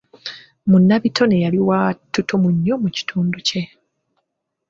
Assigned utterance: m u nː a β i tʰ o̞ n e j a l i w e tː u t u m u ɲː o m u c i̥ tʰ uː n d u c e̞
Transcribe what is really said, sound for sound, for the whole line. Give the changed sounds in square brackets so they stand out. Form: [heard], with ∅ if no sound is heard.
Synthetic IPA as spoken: m u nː a β i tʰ o̞ n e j a l i w [a] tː u t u m u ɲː o m u c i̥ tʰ uː n d u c e̞